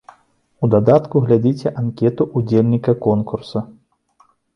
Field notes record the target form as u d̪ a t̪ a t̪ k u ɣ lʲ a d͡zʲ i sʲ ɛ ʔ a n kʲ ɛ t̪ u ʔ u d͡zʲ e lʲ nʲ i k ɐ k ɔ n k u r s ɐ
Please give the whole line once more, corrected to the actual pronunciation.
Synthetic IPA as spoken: u d̪ a d̪ a t̪ k u ɣ lʲ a d͡zʲ i t͡sʲ ɛ ʔ a n kʲ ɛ t̪ u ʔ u d͡zʲ e lʲ nʲ i k ɐ k ɔ n k u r s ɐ